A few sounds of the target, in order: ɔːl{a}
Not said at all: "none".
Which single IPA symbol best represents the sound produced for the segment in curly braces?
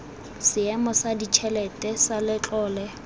ɛ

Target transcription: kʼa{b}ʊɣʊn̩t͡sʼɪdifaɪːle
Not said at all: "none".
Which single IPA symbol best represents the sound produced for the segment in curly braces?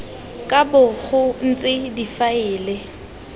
b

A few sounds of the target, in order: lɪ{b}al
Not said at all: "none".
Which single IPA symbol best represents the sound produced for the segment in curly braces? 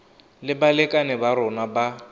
b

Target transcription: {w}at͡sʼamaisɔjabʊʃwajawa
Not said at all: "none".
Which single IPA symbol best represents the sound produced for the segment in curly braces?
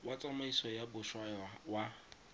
w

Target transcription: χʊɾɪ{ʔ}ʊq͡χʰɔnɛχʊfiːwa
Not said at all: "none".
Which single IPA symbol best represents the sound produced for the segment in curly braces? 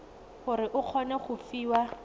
ʔ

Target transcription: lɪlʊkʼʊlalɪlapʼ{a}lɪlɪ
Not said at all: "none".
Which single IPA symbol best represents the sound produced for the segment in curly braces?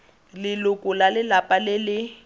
a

